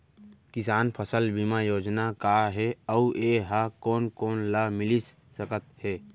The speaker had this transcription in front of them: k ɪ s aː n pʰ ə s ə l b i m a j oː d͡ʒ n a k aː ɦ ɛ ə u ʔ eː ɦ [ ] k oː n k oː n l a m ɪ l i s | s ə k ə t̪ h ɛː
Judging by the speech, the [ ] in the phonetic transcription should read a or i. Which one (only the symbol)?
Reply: a